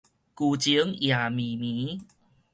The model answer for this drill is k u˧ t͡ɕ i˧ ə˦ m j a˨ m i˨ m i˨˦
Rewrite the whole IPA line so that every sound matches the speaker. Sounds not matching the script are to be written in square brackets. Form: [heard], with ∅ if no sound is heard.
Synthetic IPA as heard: k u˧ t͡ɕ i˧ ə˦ [ŋ] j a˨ m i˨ m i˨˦